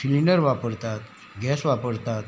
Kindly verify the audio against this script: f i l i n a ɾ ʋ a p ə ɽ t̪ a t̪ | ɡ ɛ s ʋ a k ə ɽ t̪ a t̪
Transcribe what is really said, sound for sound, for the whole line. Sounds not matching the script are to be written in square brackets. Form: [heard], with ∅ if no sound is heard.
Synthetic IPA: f i l i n [ə] ɾ ʋ a p ə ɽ t̪ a t̪ | ɡ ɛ s ʋ a [p] ə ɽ t̪ a t̪